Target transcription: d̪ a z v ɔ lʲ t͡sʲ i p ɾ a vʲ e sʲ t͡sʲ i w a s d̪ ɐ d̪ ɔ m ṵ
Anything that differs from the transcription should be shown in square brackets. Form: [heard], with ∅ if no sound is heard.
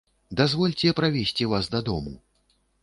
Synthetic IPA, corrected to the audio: d̪ a z v ɔ lʲ t͡sʲ [ɛ] p ɾ a vʲ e sʲ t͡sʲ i [v] a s d̪ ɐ d̪ ɔ m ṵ